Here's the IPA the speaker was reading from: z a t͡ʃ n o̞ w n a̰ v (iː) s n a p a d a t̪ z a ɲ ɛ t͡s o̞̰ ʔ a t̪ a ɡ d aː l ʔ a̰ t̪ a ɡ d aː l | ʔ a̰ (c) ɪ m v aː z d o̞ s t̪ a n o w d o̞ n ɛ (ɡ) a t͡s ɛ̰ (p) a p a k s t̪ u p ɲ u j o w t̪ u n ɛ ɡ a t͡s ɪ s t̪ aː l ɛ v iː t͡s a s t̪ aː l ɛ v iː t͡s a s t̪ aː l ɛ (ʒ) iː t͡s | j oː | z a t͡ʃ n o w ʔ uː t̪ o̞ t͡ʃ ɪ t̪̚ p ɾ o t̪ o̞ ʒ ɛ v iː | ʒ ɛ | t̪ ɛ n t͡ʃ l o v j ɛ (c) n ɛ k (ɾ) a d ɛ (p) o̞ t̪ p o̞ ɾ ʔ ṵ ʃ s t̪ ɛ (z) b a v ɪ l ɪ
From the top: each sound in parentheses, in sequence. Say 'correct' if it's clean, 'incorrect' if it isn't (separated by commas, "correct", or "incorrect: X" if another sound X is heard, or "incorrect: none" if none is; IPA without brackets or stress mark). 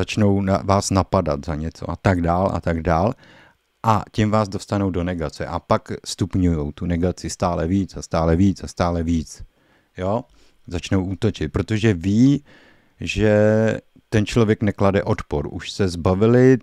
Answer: incorrect: aː, correct, correct, incorrect: ʔ, incorrect: v, incorrect: k, incorrect: l, incorrect: ʔ, correct